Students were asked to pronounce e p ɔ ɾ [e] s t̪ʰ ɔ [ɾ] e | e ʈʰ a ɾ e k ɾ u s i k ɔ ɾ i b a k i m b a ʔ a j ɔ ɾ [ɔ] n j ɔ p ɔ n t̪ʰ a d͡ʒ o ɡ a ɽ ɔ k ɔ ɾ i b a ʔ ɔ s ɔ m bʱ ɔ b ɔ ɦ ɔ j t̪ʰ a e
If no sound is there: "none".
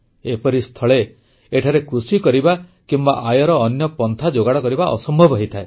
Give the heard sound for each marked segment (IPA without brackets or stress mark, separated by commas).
i, ɭ, ɔː